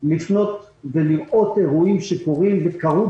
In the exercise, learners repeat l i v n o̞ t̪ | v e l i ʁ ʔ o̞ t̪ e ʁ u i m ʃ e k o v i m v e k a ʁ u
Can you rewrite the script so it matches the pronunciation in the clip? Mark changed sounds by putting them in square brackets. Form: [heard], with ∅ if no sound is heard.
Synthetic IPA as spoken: l i [f] n o̞ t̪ | v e l i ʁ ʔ o̞ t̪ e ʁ u i m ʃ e k o [ʁ] i m v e k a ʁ u